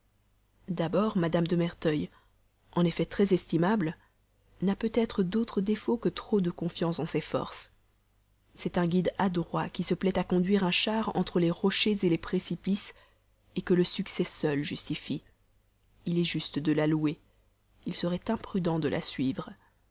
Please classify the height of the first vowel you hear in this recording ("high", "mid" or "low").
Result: low